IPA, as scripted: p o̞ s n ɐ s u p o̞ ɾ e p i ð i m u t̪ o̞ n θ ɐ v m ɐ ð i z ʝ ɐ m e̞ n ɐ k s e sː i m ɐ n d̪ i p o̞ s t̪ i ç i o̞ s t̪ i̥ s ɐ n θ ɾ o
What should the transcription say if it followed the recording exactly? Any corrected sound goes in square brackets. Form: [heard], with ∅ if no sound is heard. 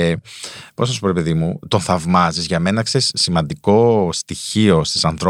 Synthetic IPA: p o̞ s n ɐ s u p o̞ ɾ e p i ð i m u t̪ o̞ n θ ɐ v m ɐ [z] i z ʝ ɐ m e̞ n ɐ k s e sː i m ɐ n d̪ i [k] o̞ s t̪ i ç i o̞ s t̪ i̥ s ɐ n θ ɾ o